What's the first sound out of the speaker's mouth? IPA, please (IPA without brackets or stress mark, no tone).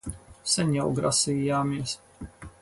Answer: s